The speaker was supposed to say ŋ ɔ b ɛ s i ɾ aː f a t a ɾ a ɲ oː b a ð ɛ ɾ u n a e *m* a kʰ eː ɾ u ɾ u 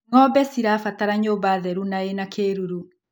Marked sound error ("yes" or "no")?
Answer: yes